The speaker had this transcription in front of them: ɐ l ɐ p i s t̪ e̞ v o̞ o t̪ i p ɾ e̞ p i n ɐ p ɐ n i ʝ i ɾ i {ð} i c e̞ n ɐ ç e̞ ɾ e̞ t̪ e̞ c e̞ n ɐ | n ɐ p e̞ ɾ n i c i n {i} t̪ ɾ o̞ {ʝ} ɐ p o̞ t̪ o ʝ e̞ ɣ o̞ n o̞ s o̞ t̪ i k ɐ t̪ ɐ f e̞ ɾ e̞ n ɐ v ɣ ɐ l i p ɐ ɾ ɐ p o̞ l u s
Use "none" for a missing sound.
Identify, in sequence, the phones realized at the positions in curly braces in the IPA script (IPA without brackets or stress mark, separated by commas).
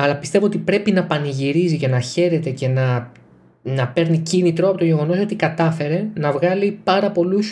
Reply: z, i, none